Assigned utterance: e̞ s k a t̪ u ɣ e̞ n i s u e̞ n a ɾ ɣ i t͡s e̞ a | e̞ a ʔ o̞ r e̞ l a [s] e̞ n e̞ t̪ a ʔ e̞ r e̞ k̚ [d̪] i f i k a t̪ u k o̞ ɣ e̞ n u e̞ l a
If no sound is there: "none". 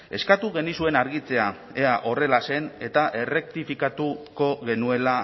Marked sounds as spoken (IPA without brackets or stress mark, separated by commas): s, t̪